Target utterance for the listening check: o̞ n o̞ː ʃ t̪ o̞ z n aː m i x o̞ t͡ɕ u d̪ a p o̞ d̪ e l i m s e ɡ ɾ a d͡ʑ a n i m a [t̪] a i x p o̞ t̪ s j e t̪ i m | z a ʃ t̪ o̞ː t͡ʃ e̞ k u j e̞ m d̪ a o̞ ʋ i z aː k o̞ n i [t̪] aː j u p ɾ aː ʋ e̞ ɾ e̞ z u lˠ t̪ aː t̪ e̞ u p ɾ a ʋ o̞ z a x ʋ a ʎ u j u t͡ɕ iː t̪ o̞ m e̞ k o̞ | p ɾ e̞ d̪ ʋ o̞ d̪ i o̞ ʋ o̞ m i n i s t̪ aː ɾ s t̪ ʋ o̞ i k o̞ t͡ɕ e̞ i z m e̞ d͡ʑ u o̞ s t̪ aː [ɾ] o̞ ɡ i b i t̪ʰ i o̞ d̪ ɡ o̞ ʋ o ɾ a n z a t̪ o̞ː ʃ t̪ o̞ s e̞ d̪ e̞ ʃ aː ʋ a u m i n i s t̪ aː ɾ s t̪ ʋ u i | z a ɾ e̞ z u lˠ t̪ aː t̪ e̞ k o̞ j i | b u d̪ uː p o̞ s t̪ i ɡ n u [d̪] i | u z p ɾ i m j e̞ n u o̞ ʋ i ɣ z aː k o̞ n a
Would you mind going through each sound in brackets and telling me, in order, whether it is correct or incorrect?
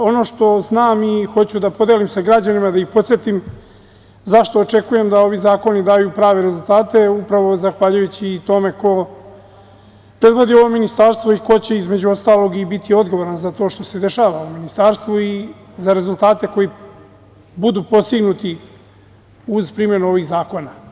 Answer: incorrect: d̪, incorrect: d̪, incorrect: l, incorrect: t̪

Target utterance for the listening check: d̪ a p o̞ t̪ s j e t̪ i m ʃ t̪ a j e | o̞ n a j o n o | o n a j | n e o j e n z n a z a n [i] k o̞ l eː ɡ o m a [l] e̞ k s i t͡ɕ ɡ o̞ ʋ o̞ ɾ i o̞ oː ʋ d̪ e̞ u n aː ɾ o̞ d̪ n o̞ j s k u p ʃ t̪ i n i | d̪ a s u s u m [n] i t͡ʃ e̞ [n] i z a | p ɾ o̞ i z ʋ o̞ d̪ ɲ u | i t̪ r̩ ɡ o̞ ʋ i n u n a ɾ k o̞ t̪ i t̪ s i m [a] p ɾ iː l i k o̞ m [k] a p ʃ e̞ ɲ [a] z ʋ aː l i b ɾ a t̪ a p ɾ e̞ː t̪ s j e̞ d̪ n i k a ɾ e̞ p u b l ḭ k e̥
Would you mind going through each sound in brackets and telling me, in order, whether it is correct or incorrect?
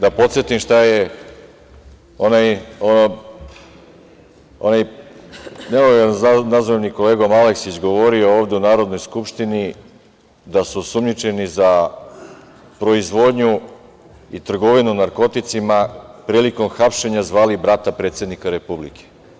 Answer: correct, correct, incorrect: ɲ, correct, correct, incorrect: x, correct

